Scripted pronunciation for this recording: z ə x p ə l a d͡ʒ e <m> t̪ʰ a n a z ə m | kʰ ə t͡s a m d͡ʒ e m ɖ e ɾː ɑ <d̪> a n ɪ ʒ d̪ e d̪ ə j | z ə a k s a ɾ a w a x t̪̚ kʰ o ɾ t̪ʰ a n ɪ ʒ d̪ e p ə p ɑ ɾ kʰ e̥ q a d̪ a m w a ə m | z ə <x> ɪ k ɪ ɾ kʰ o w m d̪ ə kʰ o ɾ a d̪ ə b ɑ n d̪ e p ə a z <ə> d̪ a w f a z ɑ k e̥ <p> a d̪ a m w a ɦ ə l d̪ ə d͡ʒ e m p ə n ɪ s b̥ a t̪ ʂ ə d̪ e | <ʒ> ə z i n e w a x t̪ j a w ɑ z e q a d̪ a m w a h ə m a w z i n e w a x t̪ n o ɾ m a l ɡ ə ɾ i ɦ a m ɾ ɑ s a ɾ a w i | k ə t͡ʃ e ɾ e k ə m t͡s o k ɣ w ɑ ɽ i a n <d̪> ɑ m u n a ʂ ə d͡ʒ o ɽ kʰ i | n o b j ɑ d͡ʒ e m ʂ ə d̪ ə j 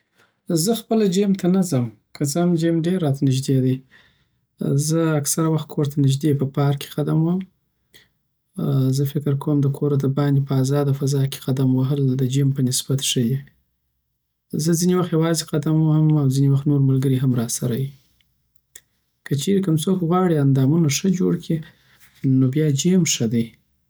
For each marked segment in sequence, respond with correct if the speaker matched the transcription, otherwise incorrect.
correct, incorrect: t̪, incorrect: f, incorrect: ɑ, incorrect: q, incorrect: z, correct

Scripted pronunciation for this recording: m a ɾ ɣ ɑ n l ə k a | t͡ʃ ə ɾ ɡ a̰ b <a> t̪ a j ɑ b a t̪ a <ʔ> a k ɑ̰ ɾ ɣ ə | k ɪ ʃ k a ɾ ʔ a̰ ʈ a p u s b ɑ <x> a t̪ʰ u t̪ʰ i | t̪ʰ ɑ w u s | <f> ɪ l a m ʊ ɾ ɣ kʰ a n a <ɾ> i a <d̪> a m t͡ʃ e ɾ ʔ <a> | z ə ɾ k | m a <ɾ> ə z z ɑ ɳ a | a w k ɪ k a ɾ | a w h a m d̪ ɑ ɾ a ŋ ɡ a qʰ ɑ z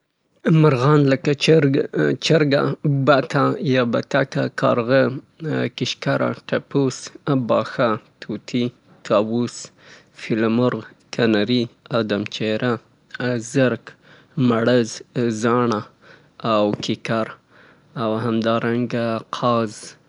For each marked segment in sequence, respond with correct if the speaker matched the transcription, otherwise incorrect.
correct, incorrect: k, correct, correct, correct, correct, correct, incorrect: ɽ

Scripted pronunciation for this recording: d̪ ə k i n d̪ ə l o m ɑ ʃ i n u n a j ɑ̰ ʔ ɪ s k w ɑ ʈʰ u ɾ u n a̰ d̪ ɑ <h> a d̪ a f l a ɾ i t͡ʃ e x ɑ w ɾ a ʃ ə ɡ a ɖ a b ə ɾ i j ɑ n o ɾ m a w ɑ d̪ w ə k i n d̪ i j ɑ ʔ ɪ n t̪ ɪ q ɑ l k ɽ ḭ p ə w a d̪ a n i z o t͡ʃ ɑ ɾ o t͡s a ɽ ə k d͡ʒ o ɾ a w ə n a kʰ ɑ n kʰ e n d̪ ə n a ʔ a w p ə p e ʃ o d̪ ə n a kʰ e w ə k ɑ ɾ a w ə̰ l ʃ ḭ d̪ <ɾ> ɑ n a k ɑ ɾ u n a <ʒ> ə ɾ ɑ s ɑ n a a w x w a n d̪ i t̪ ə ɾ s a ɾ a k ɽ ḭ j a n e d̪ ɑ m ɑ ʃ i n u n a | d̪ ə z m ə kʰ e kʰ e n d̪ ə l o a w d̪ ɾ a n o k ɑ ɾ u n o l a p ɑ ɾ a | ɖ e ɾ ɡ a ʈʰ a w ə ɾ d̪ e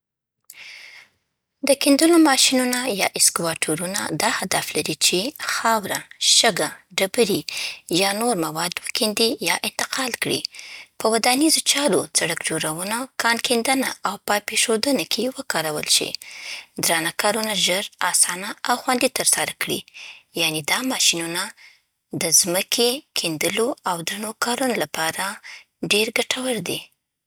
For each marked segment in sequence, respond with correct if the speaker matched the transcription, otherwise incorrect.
correct, correct, correct

